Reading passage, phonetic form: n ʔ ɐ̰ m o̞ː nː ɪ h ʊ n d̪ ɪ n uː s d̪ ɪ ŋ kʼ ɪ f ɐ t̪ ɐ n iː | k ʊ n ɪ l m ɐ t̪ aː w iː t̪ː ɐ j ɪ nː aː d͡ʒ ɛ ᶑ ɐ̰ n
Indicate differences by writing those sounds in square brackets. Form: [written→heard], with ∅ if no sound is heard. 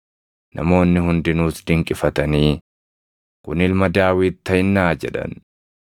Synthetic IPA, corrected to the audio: n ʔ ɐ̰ m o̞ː nː ɪ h ʊ n d̪ ɪ n uː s d̪ ɪ ŋ kʼ ɪ f ɐ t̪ ɐ n iː | k ʊ n ɪ l m ɐ [t̪→d̪] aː w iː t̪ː ɐ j ɪ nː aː d͡ʒ ɛ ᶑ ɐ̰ n